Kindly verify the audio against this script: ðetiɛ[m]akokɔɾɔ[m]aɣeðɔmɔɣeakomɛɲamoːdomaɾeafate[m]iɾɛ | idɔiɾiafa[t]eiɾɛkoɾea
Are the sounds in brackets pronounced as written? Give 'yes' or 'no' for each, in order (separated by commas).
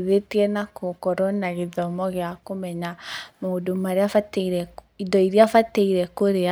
no, no, no, yes